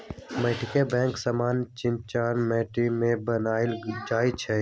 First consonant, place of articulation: labial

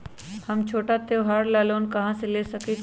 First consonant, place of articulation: glottal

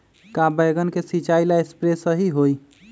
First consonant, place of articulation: velar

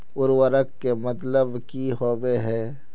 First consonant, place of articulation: alveolar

